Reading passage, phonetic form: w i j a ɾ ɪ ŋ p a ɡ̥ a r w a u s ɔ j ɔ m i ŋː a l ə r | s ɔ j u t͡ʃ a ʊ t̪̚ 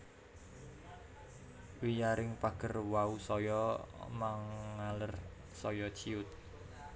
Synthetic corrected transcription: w i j a ɾ ɪ ŋ p a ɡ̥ ə r w a u s ɔ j ɔ m a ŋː a l ə r | s ɔ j ɔ t͡ʃ i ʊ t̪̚

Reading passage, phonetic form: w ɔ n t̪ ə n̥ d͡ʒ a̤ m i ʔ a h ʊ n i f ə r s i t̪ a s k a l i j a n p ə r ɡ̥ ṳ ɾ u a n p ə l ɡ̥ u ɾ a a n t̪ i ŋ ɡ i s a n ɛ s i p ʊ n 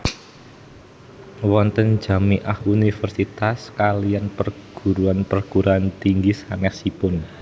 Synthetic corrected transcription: w ɔ n t̪ ə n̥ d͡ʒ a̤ m i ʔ a h u n i f ə r s i t̪ a s k a l i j a n p ə r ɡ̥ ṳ ɾ u a n p ə r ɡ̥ u ɾ a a n t̪ i ŋ ɡ i s a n ɛ s i p ʊ n

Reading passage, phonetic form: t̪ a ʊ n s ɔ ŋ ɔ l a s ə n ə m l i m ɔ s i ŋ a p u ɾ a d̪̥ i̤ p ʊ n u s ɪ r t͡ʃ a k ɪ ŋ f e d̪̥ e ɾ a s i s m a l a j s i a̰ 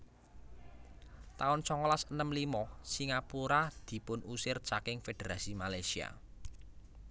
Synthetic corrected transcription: t̪ a ʊ n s ɔ ŋ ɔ l a s ə n ə m l i m ɔ s i ŋ a p u ɾ a d̪̥ i̤ p ʊ n u s ɪ r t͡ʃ a k ɪ ŋ f e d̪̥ e ɾ a s i m a l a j s i a̰

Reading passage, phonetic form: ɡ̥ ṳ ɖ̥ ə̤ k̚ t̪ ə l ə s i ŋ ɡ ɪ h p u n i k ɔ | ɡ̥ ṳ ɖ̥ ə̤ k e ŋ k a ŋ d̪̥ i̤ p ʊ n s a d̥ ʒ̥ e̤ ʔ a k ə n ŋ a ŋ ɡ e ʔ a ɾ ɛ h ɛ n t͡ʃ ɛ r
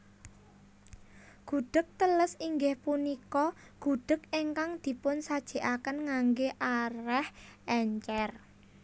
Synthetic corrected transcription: ɡ̥ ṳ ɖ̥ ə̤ k̚ t̪ ə l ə s i ŋ ɡ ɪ h p u n i k ɔ | ɡ̥ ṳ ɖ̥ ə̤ k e ŋ k a ŋ d̪̥ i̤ p ʊ n s a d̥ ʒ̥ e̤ ʔ a k ə n ŋ a ŋ ɡ e ʔ a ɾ ɛ h ɛ ɲ t͡ʃ ɛ r

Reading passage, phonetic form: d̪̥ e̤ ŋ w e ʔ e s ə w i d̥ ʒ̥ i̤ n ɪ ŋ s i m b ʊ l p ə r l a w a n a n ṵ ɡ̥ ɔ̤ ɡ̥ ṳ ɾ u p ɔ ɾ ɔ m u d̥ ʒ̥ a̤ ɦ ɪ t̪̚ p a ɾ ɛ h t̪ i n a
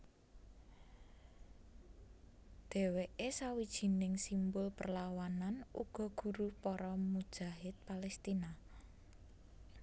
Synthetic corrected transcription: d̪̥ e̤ w e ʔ e s a w i d̥ ʒ̥ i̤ n ɪ ŋ s i m b ʊ l p ə r l a w a n a n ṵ ɡ̥ ɔ̤ ɡ̥ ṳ ɾ u p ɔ ɾ ɔ m u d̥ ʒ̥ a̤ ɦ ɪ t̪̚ p a l ɛ s t̪ i n a

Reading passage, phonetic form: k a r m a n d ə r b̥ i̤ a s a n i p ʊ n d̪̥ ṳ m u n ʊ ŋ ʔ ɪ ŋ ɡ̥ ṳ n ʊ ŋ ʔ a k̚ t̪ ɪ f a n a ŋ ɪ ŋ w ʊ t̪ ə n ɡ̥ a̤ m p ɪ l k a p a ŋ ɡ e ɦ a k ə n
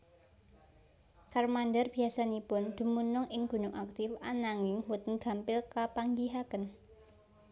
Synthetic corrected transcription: k a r m a n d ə r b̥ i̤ a s a n i p ʊ n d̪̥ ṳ m u n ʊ ŋ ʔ ɪ ŋ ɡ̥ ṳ n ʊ ŋ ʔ a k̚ t̪ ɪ f a n a ŋ ɪ ŋ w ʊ t̪ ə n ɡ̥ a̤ m p ɪ l k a p a ŋ ɡ i ɦ a k ə n

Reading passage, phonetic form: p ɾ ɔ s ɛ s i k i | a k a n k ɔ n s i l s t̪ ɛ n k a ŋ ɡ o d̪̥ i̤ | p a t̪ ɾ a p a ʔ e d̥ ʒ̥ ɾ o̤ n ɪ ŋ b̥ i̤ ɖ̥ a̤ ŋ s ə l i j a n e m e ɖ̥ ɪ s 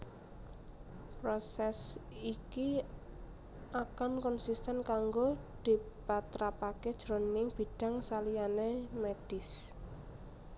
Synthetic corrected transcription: p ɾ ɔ s ɛ s i k i | a k a n k ɔ n s i s t̪ ɛ n k a ŋ ɡ o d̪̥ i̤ | p a t̪ ɾ a p a k e d̥ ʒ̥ ɾ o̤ n ɪ ŋ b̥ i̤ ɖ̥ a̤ ŋ s a l i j a n e m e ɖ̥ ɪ s

